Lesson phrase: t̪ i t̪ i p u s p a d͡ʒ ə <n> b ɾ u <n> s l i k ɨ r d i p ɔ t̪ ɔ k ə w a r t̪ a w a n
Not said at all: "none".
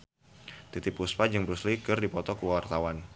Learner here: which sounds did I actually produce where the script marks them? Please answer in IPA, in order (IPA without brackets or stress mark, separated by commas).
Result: ŋ, none